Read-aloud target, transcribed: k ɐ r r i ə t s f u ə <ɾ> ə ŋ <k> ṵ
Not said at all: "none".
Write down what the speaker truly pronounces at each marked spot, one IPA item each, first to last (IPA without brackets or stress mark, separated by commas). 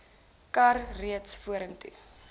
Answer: ɾ, t